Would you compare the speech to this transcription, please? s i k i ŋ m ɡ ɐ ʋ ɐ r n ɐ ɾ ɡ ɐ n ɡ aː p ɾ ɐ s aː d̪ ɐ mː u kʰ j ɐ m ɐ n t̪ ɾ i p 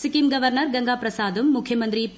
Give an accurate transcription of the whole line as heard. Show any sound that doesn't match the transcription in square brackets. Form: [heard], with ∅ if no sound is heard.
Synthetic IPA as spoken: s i k i [∅] m ɡ ɐ ʋ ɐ [ɾ] n ɐ ɾ ɡ ɐ [ŋ] ɡ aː p ɾ ɐ s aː d̪ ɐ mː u kʰ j ɐ m ɐ n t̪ ɾ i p